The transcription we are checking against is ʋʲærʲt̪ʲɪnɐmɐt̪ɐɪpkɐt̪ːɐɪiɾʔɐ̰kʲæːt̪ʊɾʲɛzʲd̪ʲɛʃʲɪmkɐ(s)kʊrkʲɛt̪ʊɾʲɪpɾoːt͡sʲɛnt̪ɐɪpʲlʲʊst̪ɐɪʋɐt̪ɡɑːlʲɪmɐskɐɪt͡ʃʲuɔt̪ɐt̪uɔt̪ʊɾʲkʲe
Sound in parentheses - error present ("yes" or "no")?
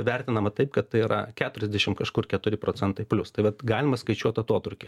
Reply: yes